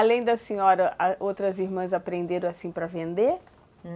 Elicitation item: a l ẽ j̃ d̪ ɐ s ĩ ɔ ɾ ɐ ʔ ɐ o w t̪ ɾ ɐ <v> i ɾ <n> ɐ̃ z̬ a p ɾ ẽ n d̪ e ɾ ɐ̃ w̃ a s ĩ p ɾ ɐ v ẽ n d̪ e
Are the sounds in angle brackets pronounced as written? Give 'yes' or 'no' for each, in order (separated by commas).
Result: no, no